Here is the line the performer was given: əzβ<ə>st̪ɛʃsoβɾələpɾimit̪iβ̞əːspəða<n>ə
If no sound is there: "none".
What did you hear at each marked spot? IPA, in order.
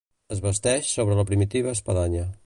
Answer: ə, ɲ

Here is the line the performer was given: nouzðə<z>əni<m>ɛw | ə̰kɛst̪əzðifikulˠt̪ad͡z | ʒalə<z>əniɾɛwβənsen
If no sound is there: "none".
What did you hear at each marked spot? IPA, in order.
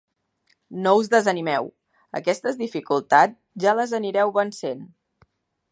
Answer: z, m, z

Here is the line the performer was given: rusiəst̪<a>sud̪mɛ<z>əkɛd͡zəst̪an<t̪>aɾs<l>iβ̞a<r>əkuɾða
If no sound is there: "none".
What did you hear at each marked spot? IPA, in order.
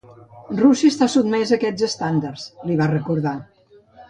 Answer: a, z, d̪, l, r

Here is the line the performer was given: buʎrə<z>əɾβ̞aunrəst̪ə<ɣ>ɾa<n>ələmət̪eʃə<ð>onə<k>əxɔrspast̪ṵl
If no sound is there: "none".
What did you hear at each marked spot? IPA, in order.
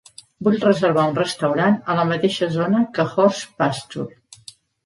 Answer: z, w, n, z, k

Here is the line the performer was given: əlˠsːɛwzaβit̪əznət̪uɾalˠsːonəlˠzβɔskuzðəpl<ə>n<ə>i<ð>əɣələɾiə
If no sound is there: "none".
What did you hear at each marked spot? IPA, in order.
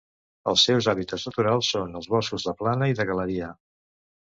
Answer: a, ə, ð

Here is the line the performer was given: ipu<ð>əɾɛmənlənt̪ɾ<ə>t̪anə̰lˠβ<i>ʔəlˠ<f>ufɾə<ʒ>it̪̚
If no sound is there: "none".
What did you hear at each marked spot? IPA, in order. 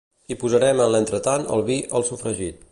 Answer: z, ə, i, s, ʒ

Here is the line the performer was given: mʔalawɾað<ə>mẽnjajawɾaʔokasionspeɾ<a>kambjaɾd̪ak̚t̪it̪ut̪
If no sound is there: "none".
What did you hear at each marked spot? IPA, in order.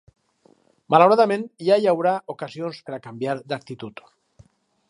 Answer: a, a

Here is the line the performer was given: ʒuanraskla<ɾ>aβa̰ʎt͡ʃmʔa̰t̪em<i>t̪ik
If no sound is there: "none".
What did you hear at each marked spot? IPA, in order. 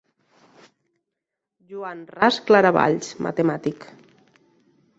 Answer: ɾ, a

